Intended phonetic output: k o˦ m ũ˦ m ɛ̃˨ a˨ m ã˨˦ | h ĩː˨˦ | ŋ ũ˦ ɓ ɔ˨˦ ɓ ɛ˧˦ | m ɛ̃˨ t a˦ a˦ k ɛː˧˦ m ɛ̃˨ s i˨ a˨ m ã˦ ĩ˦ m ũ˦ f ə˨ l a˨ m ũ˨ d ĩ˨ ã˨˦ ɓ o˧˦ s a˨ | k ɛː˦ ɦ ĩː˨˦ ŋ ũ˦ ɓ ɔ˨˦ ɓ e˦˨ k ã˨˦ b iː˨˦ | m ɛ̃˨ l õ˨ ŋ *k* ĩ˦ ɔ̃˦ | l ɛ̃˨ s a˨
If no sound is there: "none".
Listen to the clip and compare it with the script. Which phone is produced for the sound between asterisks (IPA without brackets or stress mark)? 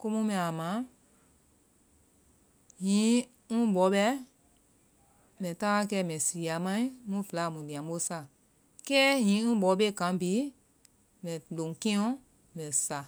k